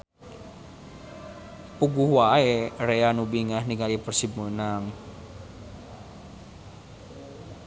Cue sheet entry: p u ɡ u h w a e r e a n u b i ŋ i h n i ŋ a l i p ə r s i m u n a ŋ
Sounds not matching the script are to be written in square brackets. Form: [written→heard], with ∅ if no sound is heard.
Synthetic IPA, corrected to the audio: p u ɡ u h w a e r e a n u b i ŋ [i→a] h n i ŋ a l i p ə r s i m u n a ŋ